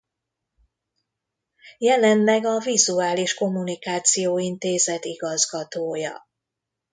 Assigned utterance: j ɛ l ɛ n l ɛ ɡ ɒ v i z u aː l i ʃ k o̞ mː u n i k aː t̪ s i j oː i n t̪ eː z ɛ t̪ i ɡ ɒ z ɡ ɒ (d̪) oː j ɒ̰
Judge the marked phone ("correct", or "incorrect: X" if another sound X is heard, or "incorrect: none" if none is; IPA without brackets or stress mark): incorrect: t̪